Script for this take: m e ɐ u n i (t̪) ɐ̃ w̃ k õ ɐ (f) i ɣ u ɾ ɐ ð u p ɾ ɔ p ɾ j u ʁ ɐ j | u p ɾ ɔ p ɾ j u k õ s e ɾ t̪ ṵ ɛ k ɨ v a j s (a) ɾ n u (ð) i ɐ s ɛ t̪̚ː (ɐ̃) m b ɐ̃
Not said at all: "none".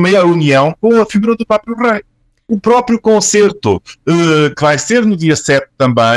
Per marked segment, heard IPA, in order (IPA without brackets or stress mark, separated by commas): none, f, e, ð, ɐ̃